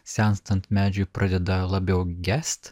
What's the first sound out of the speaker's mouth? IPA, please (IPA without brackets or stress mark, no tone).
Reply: sʲ